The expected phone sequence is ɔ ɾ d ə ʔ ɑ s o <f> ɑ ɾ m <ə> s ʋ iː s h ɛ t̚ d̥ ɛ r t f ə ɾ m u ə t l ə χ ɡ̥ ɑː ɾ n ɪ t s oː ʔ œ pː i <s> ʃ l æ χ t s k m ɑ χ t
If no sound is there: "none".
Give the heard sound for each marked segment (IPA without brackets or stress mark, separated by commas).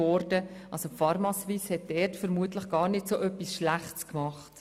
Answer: f, ɑ, s